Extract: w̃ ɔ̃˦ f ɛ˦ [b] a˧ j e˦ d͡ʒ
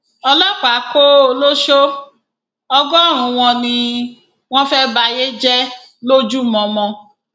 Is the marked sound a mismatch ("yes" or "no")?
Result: no